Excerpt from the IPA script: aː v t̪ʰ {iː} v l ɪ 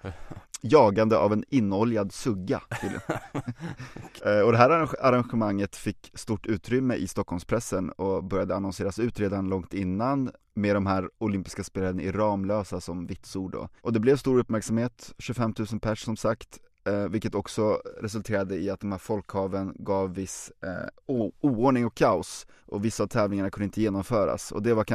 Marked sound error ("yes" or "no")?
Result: yes